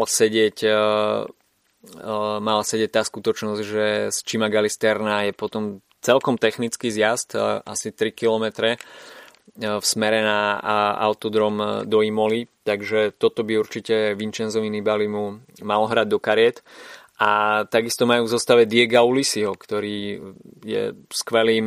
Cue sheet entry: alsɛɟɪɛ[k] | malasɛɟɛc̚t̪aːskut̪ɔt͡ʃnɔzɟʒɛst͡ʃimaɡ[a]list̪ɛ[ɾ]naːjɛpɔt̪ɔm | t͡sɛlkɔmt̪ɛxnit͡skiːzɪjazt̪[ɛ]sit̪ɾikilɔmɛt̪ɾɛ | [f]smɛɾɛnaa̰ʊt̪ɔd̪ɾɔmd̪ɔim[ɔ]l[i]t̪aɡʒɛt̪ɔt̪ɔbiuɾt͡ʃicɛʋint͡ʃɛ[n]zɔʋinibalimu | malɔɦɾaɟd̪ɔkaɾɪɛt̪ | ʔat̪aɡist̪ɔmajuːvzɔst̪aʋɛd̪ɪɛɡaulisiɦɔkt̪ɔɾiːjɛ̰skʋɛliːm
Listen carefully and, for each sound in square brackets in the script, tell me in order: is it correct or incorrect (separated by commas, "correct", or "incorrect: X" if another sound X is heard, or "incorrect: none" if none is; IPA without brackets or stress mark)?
incorrect: c, correct, correct, incorrect: a, correct, correct, correct, correct